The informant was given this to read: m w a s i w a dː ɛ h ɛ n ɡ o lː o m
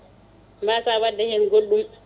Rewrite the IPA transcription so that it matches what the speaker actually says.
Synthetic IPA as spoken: m b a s a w a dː ɛ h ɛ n ɡ o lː u m